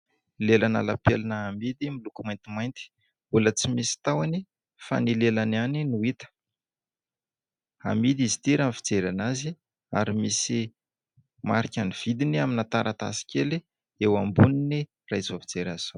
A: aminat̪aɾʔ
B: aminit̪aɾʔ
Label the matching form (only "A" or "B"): A